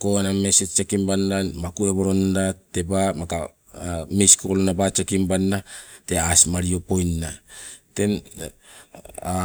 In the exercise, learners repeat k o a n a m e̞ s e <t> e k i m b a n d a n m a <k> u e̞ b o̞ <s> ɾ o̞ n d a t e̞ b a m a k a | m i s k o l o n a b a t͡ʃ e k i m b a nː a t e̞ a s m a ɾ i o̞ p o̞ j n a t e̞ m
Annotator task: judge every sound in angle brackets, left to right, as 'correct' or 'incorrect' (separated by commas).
incorrect, correct, incorrect